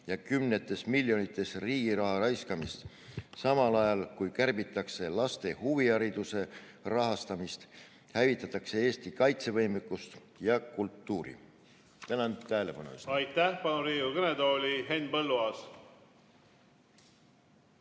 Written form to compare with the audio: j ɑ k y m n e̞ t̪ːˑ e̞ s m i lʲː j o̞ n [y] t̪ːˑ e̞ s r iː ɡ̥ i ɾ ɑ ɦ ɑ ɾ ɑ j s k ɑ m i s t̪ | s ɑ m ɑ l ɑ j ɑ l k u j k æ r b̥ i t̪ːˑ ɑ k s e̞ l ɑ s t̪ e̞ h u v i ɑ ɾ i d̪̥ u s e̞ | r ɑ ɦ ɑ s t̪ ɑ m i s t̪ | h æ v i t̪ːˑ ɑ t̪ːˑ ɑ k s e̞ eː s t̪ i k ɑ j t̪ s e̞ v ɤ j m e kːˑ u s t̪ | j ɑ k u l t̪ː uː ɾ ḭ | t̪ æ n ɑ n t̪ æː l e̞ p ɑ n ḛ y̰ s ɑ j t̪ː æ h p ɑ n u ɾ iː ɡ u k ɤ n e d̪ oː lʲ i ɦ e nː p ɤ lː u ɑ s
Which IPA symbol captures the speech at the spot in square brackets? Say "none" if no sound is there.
i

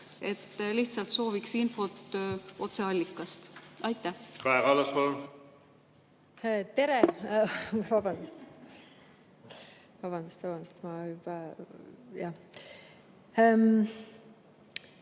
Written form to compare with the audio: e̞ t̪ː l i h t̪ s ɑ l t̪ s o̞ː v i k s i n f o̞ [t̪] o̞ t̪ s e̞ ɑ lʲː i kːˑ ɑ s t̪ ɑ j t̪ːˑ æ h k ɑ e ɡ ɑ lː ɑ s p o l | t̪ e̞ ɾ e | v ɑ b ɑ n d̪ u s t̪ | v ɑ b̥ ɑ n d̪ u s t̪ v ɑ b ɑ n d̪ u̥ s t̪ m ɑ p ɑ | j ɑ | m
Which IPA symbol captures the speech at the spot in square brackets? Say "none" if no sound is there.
t̪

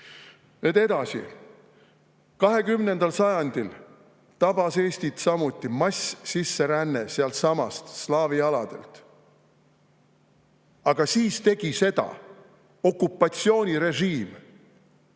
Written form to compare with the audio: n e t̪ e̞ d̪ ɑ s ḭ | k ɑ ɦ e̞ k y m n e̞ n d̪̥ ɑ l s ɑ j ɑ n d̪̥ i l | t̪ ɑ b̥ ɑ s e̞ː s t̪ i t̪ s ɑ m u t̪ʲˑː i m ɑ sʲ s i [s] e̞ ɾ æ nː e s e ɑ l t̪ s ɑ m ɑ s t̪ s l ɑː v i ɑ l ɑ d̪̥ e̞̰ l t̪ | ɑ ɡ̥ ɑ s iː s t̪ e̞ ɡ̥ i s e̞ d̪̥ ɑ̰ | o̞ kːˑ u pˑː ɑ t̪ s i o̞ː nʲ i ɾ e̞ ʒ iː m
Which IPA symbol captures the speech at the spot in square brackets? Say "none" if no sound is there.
sː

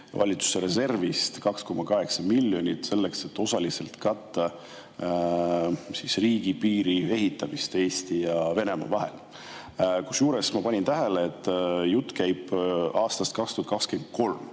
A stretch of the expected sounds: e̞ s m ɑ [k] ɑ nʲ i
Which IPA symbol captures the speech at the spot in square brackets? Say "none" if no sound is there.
p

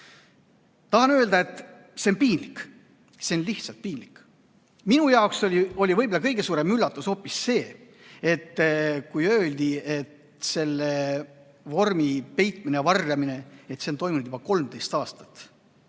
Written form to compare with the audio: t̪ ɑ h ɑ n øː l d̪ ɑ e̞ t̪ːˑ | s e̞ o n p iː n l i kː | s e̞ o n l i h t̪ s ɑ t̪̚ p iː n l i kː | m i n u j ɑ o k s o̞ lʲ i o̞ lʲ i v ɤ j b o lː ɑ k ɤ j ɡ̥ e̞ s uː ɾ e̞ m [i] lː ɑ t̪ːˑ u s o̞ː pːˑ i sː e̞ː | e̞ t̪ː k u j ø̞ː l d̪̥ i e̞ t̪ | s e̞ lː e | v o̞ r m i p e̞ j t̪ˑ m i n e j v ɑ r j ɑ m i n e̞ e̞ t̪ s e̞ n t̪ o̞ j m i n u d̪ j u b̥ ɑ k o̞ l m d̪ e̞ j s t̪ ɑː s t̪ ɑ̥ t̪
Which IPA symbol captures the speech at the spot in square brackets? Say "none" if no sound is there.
y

